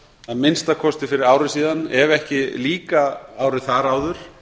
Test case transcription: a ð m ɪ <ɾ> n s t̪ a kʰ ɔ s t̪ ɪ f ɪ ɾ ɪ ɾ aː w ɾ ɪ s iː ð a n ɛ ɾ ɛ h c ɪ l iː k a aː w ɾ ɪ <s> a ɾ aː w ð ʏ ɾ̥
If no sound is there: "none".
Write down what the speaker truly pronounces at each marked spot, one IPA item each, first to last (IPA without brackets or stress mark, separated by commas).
none, θ